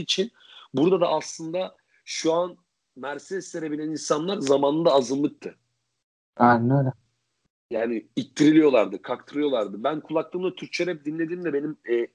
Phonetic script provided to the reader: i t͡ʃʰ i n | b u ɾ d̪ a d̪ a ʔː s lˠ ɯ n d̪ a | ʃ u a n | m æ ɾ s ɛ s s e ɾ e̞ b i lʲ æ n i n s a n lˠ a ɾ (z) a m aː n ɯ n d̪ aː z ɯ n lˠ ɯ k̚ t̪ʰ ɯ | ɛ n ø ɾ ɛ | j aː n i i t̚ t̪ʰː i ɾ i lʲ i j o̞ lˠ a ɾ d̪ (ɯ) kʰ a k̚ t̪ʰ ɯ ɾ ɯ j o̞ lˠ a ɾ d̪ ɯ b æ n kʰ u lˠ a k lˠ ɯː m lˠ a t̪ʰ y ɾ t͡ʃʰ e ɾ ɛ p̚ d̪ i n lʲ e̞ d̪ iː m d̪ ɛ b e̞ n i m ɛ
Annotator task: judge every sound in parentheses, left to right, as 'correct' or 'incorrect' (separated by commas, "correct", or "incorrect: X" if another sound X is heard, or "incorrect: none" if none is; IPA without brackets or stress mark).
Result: correct, correct